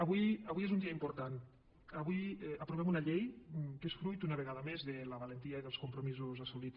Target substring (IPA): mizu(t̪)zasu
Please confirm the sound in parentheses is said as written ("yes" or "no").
no